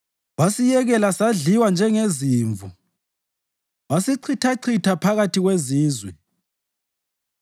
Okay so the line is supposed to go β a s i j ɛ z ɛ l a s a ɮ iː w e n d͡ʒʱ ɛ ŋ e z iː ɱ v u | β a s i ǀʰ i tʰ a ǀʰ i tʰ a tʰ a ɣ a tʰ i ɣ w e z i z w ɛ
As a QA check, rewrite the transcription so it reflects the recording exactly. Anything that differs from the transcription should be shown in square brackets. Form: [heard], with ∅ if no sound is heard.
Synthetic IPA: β a s i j ɛ [ɣ] ɛ l a s a ɮ [i] w [a] n d͡ʒʱ ɛ ŋ e z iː ɱ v u | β a s i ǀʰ i tʰ a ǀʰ i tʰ a [pʰ] a ɣ a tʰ i ɣ w e z [iː] z w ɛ